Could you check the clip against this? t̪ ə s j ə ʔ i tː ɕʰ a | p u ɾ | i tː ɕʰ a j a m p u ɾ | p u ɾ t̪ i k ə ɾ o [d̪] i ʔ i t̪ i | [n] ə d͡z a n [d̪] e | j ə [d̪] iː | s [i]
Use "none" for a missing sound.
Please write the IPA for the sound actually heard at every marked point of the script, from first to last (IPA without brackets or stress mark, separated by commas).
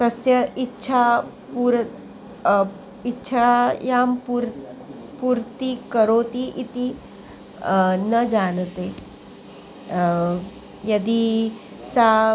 t̪, n, t̪, d̪, a